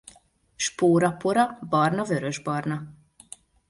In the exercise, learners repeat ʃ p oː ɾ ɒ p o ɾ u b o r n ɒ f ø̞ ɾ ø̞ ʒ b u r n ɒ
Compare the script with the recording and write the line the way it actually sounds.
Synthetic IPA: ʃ p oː ɾ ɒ p o ɾ ɒ b ɒ r n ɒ v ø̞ ɾ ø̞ ʒ b ɒ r n ɒ